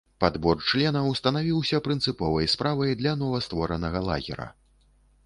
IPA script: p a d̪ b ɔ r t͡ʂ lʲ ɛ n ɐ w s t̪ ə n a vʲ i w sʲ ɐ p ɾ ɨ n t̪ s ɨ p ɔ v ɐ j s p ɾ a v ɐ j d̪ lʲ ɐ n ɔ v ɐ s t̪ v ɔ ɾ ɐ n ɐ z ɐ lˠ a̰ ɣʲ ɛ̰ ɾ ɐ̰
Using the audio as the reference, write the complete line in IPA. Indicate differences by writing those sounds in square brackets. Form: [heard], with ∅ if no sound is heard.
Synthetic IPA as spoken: p a d̪ b ɔ r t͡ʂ lʲ ɛ n ɐ w s t̪ [ɐ] n a vʲ i w sʲ ɐ p ɾ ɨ n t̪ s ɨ p ɔ v ɐ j s p ɾ a v ɐ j d̪ lʲ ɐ n ɔ v ɐ s t̪ v ɔ ɾ ɐ n ɐ [ɣ] ɐ lˠ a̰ ɣʲ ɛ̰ ɾ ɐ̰

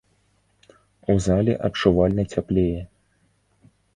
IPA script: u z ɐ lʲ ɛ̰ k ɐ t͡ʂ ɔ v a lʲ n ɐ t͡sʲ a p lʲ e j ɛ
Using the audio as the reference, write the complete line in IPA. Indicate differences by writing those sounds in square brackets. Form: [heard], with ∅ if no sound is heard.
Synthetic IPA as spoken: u z [a] lʲ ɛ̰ [ʔ] ɐ t͡ʂ [u] v a lʲ n ɐ t͡sʲ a p lʲ e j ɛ

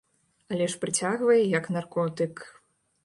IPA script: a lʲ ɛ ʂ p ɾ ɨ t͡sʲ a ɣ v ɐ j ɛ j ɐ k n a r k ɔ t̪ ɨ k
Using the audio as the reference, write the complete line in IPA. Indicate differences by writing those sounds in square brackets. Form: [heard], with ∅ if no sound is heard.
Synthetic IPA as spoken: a lʲ ɛ ʂ p ɾ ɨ t͡sʲ a ɣ v ɐ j ɛ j ɐ k n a r k ɔ t̪ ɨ k

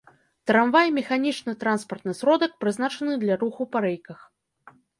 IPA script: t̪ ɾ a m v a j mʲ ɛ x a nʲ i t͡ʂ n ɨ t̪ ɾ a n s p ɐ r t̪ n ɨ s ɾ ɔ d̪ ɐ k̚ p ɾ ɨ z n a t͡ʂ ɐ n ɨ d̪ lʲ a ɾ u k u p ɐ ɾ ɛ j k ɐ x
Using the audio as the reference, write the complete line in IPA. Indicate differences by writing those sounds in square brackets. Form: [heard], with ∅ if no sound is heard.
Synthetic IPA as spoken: t̪ ɾ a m v a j mʲ ɛ x a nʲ i t͡ʂ n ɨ t̪ ɾ a n s p ɐ r t̪ n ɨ s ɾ ɔ d̪ ɐ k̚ p ɾ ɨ z n a t͡ʂ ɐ n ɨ d̪ lʲ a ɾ u [x] u p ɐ ɾ ɛ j k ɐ x

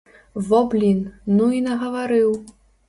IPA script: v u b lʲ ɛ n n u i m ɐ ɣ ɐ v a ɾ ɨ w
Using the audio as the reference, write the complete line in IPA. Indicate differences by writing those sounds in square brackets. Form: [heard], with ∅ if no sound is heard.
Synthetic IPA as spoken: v [ɔ] b lʲ [i] n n u i [n] ɐ ɣ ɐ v a ɾ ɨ w

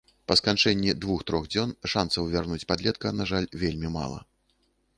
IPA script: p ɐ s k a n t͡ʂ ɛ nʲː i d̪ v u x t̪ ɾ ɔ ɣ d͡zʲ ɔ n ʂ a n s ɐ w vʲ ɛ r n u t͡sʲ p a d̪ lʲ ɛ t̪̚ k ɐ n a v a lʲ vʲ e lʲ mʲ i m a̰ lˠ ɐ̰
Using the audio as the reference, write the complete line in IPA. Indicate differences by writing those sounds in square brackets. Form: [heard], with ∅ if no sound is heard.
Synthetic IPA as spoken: p ɐ s k a n t͡ʂ ɛ nʲː i d̪ v u x t̪ ɾ ɔ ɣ d͡zʲ ɔ n ʂ a n s ɐ w vʲ [a] r n u t͡sʲ p a d̪ lʲ ɛ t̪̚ k ɐ n a [ʐ] a lʲ vʲ e lʲ mʲ i m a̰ lˠ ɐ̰

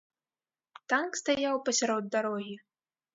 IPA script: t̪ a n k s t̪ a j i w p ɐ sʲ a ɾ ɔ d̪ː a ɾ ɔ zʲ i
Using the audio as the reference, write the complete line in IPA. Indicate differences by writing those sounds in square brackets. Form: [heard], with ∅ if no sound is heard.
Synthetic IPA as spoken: t̪ a n k s t̪ a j [a] w p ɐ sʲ a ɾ ɔ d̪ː a ɾ ɔ [ɣʲ] i

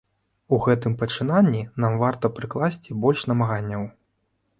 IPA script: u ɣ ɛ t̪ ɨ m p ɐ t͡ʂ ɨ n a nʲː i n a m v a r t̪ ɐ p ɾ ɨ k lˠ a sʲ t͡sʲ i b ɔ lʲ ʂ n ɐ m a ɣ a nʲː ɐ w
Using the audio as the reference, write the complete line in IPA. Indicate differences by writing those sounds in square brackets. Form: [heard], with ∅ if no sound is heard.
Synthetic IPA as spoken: u ɣ ɛ t̪ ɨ m p ɐ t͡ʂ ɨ n a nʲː i n a m v a r t̪ ɐ p ɾ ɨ k lˠ a sʲ t͡sʲ i b ɔ lʲ ʂ n ɐ m a ɣ a nʲː ɐ w

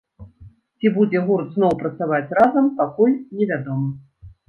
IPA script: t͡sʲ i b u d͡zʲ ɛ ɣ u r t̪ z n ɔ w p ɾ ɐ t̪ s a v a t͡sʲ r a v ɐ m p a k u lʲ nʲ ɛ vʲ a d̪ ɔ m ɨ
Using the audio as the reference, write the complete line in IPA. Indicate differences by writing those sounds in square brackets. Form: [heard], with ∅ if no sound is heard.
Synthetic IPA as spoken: t͡sʲ i b u d͡zʲ ɛ ɣ u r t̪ z n ɔ w p ɾ ɐ t̪ s a v a t͡sʲ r a [z] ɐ m p a k u lʲ nʲ ɛ vʲ a d̪ ɔ m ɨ

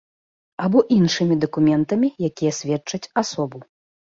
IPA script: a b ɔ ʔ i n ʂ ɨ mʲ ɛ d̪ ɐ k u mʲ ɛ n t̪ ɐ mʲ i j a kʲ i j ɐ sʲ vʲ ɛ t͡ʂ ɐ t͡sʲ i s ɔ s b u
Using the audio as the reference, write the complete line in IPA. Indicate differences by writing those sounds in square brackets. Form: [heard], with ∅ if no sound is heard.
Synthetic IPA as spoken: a b ɔ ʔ i n ʂ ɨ mʲ [i] d̪ ɐ k u mʲ ɛ n t̪ ɐ mʲ i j a kʲ i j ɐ sʲ vʲ ɛ t͡ʂ ɐ t͡sʲ [a] s ɔ [∅] b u

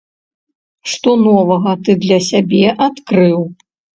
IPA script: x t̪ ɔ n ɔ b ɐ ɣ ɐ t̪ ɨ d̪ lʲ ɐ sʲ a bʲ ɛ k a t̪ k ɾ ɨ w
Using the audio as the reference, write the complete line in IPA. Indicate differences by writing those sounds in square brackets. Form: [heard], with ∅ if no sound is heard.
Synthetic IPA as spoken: [ʂ] t̪ ɔ n ɔ [v] ɐ ɣ ɐ t̪ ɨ d̪ lʲ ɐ sʲ a bʲ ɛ [ʔ] a t̪ k ɾ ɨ w

